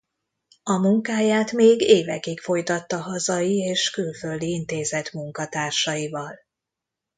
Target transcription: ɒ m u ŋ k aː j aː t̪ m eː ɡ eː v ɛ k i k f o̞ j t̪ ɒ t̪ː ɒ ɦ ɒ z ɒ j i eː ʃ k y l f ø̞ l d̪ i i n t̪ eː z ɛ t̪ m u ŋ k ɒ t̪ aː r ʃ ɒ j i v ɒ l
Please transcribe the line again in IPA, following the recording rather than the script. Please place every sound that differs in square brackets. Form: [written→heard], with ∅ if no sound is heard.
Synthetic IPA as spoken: ɒ m u ŋ k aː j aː t̪ m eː ɡ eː v ɛ k i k f o̞ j t̪ ɒ t̪ː ɒ ɦ ɒ z ɒ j i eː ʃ k y l f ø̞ l d̪ i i n t̪ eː z ɛ t̪ m u ŋ k ɒ t̪ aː r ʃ ɒ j i v ɒ l